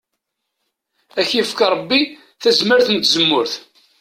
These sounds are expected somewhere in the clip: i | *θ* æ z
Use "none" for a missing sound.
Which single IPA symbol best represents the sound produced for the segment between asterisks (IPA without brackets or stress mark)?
θ